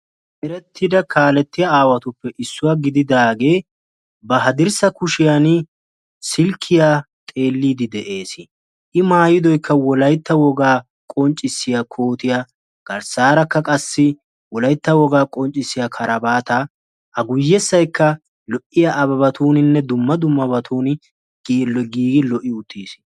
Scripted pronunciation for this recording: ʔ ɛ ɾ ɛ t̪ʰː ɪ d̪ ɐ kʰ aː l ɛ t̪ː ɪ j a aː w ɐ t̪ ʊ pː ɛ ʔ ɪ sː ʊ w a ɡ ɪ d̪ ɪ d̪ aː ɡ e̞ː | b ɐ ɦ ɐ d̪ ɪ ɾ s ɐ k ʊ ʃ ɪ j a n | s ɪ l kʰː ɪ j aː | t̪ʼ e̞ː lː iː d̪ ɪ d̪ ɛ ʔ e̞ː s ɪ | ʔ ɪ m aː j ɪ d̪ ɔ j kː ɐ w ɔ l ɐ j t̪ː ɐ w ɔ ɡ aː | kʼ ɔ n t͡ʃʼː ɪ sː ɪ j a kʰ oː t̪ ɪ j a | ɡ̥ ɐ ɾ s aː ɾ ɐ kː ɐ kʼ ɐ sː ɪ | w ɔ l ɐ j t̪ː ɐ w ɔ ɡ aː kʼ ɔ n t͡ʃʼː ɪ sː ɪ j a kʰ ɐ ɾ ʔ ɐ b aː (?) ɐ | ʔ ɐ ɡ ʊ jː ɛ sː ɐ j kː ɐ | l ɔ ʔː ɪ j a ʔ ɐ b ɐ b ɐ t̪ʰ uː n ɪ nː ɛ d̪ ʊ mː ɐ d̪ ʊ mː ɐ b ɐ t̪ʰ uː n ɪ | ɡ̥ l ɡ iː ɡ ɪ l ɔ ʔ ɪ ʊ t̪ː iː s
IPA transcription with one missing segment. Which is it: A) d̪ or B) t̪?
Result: B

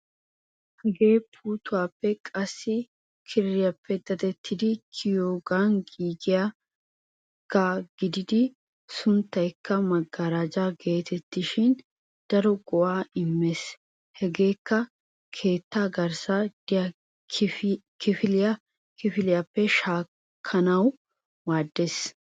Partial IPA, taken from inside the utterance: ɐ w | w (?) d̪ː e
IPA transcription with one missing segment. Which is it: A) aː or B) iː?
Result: A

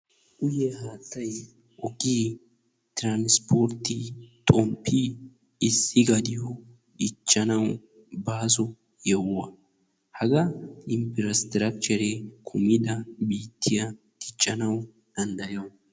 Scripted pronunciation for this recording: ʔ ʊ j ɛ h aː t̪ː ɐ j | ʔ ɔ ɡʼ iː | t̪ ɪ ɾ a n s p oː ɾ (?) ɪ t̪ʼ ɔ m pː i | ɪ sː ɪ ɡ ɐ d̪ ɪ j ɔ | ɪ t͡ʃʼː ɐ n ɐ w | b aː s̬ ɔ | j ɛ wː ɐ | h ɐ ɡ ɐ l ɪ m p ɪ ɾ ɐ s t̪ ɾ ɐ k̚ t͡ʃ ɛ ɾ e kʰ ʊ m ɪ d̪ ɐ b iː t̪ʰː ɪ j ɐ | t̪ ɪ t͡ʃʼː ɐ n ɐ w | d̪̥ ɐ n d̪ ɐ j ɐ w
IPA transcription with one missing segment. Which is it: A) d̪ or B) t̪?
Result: B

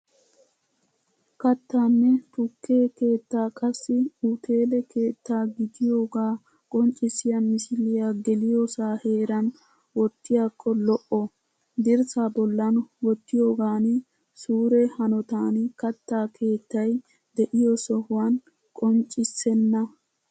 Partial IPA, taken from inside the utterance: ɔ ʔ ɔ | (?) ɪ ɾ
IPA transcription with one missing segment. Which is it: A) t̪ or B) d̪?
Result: B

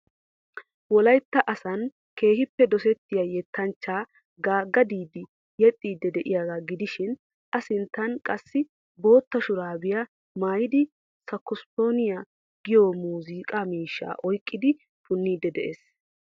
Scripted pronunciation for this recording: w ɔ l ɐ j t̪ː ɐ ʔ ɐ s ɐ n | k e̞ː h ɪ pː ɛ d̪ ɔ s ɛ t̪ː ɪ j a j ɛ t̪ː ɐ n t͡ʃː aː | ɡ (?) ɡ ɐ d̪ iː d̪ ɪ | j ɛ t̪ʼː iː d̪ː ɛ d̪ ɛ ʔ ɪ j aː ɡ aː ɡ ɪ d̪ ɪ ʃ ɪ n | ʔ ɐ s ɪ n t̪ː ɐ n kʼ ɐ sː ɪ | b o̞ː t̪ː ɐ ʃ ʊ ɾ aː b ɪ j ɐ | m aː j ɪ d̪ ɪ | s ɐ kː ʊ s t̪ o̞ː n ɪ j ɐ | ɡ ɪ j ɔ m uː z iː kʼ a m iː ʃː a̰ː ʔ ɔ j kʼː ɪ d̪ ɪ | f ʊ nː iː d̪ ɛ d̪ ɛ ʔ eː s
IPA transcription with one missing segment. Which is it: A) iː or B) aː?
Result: B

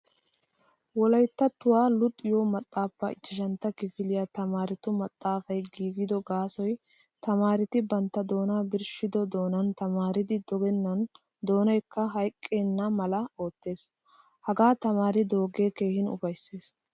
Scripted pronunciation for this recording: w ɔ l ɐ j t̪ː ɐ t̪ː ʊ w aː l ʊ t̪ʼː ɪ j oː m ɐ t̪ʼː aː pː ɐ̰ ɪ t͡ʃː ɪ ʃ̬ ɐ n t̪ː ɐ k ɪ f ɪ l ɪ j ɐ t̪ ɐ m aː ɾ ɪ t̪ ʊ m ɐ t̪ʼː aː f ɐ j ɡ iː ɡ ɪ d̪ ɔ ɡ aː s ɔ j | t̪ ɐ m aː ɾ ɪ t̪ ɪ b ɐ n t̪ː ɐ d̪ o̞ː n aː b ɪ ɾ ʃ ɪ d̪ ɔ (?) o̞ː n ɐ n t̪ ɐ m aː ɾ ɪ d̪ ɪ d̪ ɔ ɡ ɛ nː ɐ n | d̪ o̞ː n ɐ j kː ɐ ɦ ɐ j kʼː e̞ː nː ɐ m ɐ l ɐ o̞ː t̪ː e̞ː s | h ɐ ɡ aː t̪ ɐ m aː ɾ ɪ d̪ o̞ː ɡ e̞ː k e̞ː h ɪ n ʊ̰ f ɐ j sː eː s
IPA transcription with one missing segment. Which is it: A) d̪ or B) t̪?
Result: A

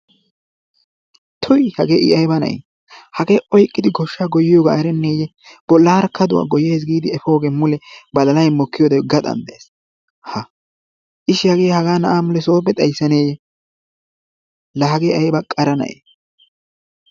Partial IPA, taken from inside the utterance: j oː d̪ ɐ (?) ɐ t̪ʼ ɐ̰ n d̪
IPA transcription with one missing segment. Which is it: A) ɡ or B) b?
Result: A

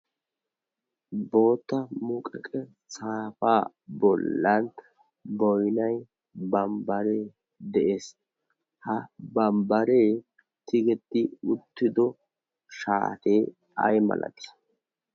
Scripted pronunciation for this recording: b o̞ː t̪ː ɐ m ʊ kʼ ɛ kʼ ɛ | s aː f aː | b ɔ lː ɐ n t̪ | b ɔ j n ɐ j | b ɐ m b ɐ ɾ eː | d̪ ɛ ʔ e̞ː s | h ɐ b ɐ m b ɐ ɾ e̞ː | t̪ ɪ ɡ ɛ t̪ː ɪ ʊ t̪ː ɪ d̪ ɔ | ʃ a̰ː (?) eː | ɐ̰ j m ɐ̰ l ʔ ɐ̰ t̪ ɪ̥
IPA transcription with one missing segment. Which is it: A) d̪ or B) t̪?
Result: B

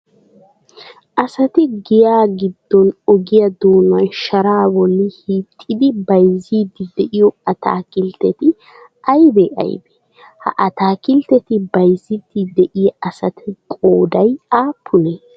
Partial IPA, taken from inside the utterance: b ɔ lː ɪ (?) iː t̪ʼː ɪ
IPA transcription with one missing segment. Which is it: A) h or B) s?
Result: A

